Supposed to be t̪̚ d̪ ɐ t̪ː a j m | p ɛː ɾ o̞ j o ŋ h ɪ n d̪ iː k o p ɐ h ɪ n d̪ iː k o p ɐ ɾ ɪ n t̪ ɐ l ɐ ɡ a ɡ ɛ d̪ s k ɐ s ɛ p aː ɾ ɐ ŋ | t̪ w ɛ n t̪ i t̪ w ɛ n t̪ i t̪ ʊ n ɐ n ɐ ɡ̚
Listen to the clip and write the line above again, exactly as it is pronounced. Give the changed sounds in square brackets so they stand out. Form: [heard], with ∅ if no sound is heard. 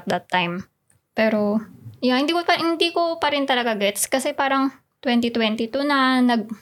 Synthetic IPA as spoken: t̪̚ d̪ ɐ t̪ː a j m | p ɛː ɾ o̞ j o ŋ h ɪ n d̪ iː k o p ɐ h ɪ n d̪ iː k o p ɐ ɾ ɪ n t̪ ɐ l ɐ ɡ a ɡ ɛ [t̪] s k ɐ s ɛ p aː ɾ ɐ ŋ | t̪ w ɛ n t̪ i t̪ w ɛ n t̪ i t̪ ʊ n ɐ n ɐ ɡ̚